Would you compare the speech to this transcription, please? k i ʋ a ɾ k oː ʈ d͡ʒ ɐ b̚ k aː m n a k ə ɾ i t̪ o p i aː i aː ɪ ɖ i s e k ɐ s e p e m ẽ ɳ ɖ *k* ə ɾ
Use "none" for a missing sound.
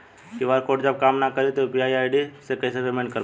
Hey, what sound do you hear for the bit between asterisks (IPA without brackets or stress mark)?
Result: k